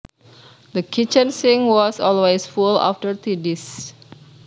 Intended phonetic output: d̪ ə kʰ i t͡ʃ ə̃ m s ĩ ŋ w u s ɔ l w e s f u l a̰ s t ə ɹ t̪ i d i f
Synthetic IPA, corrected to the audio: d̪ ə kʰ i t͡ʃ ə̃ n s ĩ ŋ w ɔ s ɔ l w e s f u l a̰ f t ə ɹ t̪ i d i s